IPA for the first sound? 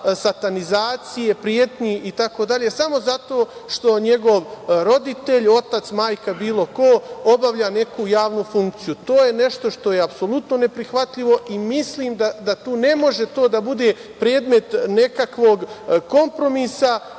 s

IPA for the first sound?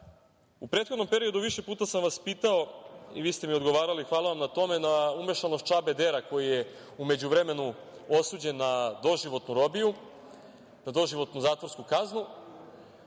u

